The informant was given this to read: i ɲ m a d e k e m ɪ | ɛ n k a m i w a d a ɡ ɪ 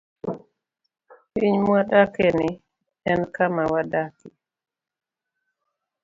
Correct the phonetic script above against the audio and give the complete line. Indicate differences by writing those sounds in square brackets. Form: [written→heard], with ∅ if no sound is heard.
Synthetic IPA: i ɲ m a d [e→a] k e [m→n] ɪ | ɛ n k a m [i→a] w a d a [ɡ→k] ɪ